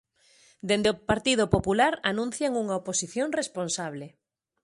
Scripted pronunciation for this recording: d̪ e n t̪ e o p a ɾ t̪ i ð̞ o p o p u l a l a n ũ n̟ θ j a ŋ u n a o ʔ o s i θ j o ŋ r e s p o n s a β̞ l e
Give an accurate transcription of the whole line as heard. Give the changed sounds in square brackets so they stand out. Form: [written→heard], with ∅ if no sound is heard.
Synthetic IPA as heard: d̪ e n [t̪→d̪] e o p a ɾ t̪ i ð̞ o p o p u l a [l→ɾ] a n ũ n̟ θ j a ŋ u [n→ŋ] a o [ʔ→p] o s i θ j o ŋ r e s p o n s a β̞ l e